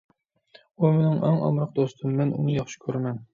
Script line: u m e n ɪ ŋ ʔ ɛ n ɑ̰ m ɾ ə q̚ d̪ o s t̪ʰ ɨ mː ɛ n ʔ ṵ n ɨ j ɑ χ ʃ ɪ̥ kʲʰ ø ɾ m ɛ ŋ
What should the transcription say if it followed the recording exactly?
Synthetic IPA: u m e n ɪ ŋ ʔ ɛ ŋ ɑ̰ m ɾ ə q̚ d̪ o s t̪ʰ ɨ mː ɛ n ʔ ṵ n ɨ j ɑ χ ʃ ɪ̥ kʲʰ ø ɾ m ɛ n